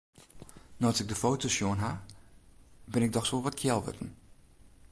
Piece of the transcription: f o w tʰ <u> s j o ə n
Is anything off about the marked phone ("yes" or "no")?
yes